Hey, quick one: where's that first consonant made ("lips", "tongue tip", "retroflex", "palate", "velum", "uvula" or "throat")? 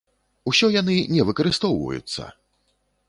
tongue tip